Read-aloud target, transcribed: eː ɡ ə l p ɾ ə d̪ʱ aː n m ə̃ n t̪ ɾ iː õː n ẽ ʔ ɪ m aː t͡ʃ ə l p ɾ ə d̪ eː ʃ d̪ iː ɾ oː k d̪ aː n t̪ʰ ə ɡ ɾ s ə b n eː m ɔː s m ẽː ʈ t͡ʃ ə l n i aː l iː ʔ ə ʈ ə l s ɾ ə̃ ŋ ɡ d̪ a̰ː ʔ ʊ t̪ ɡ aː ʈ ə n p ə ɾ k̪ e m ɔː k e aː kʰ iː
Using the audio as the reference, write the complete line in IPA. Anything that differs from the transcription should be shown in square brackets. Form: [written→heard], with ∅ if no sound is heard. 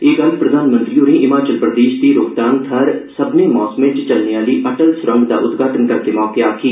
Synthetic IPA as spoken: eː ɡ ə l p ɾ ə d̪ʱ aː n m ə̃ n t̪ ɾ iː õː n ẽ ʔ ɪ m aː t͡ʃ ə l p ɾ ə d̪ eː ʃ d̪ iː ɾ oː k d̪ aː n t̪ʰ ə [ɡ→∅] ɾ s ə b n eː m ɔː s m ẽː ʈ t͡ʃ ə l n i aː l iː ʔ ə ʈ ə l s ɾ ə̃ ŋ ɡ d̪ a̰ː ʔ ʊ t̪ ɡ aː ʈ ə n [p→k] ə ɾ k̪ e m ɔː k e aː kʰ iː